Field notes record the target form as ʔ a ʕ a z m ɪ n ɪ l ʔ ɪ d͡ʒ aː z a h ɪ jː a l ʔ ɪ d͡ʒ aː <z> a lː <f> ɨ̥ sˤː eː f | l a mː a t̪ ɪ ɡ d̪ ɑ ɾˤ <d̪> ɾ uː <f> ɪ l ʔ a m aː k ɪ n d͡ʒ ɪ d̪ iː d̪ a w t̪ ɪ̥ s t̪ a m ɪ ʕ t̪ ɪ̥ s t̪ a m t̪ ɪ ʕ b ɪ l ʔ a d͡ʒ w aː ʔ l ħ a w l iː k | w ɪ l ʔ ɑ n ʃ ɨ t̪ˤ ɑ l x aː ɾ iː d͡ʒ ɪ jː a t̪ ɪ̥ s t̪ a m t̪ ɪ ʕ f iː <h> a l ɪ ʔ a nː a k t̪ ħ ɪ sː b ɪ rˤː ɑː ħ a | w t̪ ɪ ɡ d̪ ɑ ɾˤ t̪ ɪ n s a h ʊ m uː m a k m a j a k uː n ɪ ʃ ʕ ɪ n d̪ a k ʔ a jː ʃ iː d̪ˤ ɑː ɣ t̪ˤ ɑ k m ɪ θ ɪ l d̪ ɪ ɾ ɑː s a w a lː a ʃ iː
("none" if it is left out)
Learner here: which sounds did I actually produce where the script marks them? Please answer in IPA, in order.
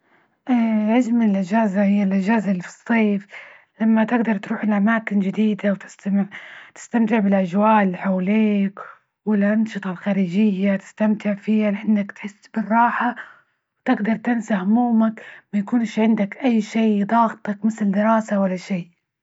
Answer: z, f, t̪, ħ, h

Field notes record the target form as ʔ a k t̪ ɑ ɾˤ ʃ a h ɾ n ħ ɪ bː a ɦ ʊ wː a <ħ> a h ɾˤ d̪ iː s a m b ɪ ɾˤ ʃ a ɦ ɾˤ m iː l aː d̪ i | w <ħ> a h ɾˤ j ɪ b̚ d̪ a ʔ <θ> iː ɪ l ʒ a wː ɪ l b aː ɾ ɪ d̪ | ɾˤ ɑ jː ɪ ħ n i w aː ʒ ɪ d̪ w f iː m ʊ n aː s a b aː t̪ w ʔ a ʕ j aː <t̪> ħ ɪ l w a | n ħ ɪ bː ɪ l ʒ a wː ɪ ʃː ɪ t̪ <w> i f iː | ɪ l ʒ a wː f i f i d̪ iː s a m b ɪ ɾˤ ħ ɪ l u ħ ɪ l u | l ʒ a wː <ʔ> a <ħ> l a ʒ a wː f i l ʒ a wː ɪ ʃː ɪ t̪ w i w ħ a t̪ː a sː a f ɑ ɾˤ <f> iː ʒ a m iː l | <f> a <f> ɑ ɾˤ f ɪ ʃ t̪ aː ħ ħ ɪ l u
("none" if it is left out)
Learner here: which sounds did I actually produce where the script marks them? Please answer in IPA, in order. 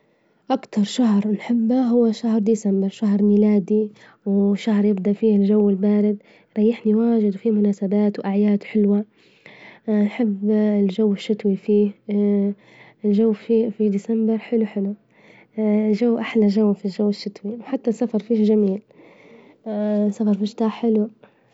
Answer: ʃ, ʃ, f, d̪, w, ʔ, ħ, f, s, f

